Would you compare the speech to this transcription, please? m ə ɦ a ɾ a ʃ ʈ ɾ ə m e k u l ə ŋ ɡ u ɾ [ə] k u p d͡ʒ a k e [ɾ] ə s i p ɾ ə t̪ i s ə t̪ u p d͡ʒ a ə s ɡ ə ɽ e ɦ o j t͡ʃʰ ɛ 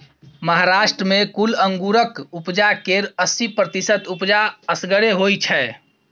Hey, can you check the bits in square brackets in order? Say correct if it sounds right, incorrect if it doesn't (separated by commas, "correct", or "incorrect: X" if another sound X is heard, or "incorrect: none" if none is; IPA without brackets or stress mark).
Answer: correct, correct